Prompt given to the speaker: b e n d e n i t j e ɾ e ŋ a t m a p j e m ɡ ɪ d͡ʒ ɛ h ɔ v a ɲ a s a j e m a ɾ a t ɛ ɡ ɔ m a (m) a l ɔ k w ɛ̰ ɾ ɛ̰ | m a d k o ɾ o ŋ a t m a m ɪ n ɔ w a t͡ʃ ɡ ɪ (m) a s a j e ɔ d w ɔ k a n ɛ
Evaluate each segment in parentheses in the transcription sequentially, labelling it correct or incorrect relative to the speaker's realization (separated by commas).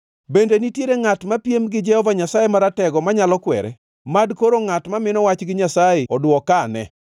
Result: incorrect, incorrect